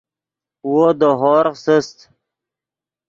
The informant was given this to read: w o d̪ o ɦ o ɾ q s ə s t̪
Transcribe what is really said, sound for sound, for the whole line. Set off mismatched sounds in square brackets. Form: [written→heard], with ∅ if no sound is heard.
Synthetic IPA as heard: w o d̪ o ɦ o ɾ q s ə s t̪

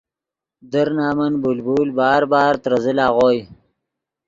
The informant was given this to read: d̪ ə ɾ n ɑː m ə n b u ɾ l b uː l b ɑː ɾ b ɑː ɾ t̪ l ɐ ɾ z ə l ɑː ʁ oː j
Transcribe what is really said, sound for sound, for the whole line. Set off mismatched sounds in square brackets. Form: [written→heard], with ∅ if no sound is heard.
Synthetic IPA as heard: d̪ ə ɾ n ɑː m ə n b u [ɾ→∅] l b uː l b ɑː ɾ b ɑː ɾ t̪ [l→ɾ] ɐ [ɾ→∅] z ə l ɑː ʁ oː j

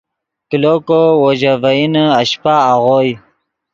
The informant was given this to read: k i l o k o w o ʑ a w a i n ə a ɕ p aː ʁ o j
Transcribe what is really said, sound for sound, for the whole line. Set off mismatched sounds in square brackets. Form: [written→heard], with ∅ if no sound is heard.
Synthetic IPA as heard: k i l o k o w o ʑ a [w→v] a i n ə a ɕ p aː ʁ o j

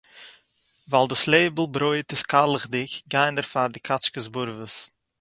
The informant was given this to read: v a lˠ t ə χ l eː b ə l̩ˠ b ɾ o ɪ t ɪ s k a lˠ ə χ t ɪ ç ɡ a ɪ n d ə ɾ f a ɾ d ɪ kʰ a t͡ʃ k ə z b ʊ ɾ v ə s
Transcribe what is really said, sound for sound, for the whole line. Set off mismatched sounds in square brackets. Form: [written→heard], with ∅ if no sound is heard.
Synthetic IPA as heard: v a lˠ [t→d] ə [χ→s] l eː b ə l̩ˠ b ɾ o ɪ t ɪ s k a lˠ ə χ [t→d] ɪ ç ɡ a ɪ n d ə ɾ f a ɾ d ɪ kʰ a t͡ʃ k ə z b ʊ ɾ v ə s

